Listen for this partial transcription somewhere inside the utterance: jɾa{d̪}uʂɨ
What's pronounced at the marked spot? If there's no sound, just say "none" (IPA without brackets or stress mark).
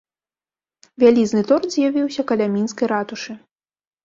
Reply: t̪